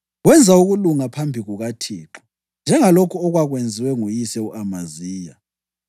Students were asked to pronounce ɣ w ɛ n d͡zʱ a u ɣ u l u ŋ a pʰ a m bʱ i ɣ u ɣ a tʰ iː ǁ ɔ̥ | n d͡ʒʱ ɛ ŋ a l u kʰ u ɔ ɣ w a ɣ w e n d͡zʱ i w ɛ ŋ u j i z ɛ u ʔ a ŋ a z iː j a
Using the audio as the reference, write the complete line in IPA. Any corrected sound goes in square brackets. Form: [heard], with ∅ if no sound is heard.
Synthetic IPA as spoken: ɣ w ɛ n d͡zʱ a u ɣ u l u ŋ a pʰ a m bʱ i ɣ u ɣ a tʰ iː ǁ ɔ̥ | n d͡ʒʱ ɛ ŋ a l [o] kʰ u ɔ ɣ w a ɣ w e n d͡zʱ i w ɛ ŋ u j i [s] ɛ u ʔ a [m] a z iː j a